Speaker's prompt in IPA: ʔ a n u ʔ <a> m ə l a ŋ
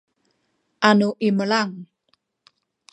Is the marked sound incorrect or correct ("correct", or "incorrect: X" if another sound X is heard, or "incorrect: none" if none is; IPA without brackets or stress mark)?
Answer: incorrect: i